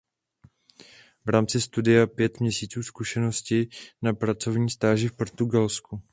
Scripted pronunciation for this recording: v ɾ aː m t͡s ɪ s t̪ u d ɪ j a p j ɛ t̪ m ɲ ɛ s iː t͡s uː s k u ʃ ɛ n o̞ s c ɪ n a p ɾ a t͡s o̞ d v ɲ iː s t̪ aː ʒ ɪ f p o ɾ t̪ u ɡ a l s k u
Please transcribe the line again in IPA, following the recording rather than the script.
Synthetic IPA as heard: v ɾ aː m t͡s ɪ s t̪ u d ɪ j a p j ɛ t̪ m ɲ ɛ s iː t͡s uː s k u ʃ ɛ n o̞ s c ɪ n a p ɾ a t͡s o̞ v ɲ iː s t̪ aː ʒ ɪ f p o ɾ t̪ u ɡ a l s k u